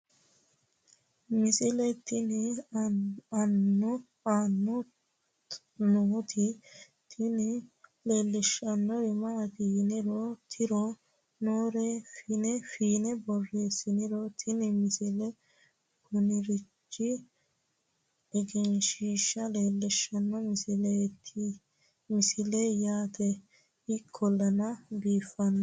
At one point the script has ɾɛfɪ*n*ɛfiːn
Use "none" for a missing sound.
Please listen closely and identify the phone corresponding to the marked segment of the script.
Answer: n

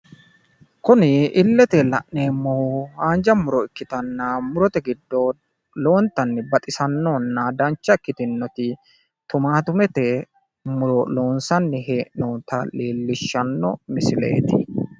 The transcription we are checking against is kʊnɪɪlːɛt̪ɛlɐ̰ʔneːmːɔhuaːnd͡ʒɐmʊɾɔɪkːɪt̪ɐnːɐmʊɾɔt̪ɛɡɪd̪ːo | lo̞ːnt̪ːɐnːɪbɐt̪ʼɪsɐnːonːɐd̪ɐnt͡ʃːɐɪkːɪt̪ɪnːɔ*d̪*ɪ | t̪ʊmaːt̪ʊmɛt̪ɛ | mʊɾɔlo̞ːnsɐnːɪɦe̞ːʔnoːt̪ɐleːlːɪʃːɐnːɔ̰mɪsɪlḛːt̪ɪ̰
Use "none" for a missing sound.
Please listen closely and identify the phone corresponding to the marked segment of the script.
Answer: t̪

